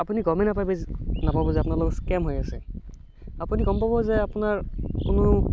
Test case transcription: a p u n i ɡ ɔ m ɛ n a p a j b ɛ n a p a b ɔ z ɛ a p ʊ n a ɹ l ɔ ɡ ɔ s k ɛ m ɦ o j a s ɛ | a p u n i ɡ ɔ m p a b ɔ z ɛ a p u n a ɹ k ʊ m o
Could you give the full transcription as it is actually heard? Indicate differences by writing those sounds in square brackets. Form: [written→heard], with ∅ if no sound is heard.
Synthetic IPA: a p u n i ɡ ɔ m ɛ n a p a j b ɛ n a p a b ɔ z ɛ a p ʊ n a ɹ l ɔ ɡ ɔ s k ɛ m ɦ o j a s ɛ | a p u n i ɡ ɔ m p a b ɔ z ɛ a p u n a ɹ k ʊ [m→n] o